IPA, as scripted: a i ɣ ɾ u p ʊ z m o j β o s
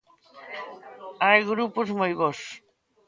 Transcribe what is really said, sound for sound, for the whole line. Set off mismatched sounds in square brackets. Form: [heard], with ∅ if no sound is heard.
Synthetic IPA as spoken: a [j] ɣ ɾ u p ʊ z m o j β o s